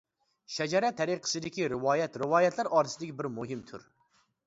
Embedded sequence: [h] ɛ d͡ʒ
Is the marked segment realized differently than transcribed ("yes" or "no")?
yes